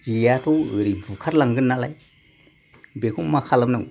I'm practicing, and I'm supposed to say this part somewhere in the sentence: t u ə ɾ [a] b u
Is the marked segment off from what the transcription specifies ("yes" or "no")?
yes